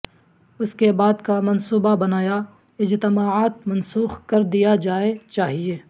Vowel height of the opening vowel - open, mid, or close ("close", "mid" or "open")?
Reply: close